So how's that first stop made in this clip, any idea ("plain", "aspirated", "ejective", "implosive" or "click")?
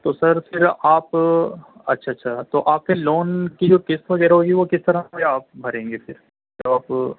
plain